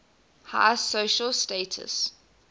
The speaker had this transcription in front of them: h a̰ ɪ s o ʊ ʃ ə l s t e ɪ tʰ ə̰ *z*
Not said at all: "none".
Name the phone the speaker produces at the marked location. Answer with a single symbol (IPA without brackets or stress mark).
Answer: s